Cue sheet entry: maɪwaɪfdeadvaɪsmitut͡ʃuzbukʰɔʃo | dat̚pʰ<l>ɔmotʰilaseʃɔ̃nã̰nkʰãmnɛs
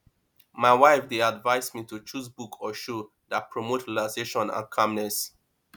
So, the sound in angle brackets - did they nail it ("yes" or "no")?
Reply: no